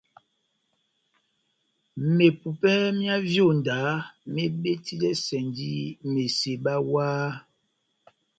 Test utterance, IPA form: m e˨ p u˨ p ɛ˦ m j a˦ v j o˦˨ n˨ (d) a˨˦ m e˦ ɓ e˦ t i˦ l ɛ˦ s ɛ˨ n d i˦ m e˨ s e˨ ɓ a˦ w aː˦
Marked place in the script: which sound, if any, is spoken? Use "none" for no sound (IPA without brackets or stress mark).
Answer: d